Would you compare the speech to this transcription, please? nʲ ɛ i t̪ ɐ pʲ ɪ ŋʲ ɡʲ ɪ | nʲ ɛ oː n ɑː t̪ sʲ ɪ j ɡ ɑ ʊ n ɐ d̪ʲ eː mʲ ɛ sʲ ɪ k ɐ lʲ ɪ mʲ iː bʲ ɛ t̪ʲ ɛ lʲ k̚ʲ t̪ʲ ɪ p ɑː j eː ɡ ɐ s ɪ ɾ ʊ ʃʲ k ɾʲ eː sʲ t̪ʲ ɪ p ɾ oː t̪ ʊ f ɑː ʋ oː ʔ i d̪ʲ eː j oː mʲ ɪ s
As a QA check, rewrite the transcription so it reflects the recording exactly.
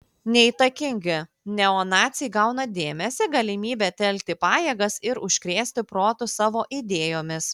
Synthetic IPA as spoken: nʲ ɛ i t̪ ɐ kʲ ɪ ŋʲ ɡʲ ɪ | nʲ ɛ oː n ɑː t̪ sʲ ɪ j ɡ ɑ ʊ n ɐ d̪ʲ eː mʲ ɛ sʲ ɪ ɡ ɐ lʲ ɪ mʲ iː bʲ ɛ t̪ʲ ɛ lʲ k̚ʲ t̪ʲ ɪ p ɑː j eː ɡ ɐ s ɪ ɾ ʊ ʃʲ k ɾʲ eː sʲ t̪ʲ ɪ p ɾ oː t̪ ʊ s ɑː ʋ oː ʔ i d̪ʲ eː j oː mʲ ɪ s